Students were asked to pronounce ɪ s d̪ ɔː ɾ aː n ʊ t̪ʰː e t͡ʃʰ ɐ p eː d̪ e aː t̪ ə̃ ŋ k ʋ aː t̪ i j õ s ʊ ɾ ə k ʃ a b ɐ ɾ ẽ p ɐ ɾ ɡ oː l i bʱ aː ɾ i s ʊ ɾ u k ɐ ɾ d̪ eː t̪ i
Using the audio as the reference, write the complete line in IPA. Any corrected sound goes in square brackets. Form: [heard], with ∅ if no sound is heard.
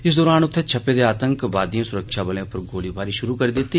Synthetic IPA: ɪ s d̪ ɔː ɾ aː n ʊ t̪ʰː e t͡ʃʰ ɐ p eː d̪ e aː t̪ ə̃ ŋ k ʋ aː [d̪] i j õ s ʊ ɾ ə k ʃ a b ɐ [l] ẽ p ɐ ɾ ɡ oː l i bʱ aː ɾ i [ʃ] ʊ ɾ u k ɐ ɾ d̪ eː t̪ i

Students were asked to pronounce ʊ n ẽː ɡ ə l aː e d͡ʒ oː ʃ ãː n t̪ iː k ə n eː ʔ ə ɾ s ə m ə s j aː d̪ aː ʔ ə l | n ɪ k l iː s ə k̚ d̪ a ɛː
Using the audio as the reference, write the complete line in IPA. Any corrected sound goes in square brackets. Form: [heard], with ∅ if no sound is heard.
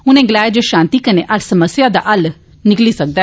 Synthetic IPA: ʊ n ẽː ɡ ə l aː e d͡ʒ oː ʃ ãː n t̪ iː k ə n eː ʔ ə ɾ s ə m ə s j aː d̪ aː ʔ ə l | n ɪ k l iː s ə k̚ d̪ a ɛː

